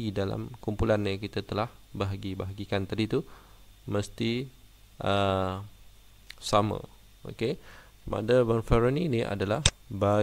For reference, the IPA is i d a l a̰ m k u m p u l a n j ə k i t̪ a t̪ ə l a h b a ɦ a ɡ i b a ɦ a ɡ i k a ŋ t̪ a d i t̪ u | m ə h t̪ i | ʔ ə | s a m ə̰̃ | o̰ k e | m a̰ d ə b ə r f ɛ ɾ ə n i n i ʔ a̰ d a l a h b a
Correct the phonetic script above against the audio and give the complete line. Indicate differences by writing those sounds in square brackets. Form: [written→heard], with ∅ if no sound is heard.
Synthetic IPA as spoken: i d a l a̰ m k u m p u l a n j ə k i t̪ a t̪ ə l a h b a ɦ a ɡ i b a ɦ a ɡ i k a [ŋ→n] t̪ a d i t̪ u | m ə [h→s] t̪ i | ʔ ə | s a m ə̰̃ | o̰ k e | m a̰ d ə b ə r f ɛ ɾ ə n i n i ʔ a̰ d a l a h b a